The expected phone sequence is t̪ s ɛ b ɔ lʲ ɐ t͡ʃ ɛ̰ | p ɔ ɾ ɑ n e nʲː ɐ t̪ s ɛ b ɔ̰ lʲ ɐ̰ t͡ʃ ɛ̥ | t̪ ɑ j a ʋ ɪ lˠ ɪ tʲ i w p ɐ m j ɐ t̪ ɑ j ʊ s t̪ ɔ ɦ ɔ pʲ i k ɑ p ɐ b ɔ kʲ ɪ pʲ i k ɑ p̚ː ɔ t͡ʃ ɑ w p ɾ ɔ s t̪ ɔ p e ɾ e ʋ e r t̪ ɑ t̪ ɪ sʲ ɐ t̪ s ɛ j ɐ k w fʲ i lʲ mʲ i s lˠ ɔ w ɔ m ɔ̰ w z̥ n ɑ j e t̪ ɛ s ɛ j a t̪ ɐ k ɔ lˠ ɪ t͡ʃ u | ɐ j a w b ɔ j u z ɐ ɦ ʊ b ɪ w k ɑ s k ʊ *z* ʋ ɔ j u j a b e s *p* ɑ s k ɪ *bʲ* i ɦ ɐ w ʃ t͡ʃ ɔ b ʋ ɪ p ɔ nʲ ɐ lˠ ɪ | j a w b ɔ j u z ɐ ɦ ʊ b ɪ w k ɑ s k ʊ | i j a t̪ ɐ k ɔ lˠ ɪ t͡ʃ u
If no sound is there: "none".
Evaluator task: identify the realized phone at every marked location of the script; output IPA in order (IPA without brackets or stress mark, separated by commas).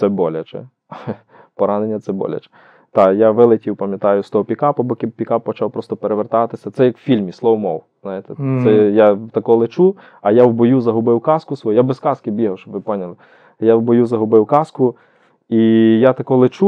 s, k, bʲ